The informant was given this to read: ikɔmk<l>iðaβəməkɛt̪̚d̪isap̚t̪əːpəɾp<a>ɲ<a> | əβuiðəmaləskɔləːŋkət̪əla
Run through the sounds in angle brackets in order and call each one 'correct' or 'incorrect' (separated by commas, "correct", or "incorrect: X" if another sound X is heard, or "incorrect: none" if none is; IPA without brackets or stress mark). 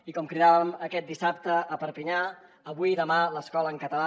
incorrect: ɾ, incorrect: i, correct